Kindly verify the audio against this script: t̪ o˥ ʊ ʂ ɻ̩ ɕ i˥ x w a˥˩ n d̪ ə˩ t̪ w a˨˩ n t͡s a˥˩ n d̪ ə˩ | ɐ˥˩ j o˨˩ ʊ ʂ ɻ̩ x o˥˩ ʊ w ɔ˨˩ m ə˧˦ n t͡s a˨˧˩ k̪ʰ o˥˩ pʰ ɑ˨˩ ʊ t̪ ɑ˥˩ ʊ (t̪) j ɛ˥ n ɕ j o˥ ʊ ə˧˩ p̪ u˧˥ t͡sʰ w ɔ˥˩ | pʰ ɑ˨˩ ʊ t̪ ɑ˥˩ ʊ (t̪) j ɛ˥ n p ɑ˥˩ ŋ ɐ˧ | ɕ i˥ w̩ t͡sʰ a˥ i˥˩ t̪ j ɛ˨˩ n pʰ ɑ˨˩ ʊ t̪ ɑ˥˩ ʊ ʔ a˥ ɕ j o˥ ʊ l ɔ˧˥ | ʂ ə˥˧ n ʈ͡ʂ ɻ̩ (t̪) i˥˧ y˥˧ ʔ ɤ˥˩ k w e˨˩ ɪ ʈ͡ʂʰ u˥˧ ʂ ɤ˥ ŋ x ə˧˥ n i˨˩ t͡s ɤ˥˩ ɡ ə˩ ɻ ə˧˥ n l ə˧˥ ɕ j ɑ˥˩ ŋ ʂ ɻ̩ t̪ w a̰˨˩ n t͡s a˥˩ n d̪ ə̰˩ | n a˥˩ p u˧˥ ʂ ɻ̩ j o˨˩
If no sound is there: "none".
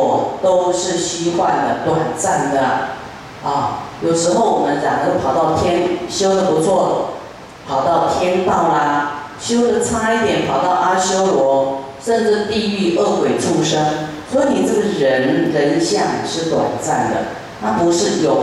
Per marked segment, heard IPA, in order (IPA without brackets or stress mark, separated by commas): t̪ʰ, t̪ʰ, t̪